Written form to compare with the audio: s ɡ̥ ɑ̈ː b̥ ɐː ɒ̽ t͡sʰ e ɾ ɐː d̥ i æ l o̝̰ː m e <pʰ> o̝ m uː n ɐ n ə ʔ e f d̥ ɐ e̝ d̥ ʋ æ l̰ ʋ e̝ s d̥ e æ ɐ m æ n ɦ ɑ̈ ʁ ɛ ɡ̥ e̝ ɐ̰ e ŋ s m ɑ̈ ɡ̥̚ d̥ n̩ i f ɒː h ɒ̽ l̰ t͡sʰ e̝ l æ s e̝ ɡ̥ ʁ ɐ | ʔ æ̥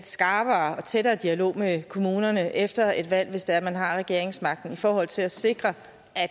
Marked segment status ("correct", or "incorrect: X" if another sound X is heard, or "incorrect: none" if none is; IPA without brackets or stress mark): incorrect: kʰ